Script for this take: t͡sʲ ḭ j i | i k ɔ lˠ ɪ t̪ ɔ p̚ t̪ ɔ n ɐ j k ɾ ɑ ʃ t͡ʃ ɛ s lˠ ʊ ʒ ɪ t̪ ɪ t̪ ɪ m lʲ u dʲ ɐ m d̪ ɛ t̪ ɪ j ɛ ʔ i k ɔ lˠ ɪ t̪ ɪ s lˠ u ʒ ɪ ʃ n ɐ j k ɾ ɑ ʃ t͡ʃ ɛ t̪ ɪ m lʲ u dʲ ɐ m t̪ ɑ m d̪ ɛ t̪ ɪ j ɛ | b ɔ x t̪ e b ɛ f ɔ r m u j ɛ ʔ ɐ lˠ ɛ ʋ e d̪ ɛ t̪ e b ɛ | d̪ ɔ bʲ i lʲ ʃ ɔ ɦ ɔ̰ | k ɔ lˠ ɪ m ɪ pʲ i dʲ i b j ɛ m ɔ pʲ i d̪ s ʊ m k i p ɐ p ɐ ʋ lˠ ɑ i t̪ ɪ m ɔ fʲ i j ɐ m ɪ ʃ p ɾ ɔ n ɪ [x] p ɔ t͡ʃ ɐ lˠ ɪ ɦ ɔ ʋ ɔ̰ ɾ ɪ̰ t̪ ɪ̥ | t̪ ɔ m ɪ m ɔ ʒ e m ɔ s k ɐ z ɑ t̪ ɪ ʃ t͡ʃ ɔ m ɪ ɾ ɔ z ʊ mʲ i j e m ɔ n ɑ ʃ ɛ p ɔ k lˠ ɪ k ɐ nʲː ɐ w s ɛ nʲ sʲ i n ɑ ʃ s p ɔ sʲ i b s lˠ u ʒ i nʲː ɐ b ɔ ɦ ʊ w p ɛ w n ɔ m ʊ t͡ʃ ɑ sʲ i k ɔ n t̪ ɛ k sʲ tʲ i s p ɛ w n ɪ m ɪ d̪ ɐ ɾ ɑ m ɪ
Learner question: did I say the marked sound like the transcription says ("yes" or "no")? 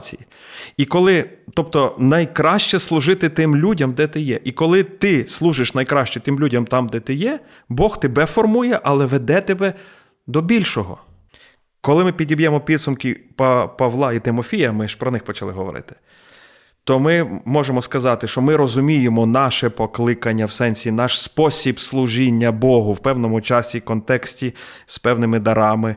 yes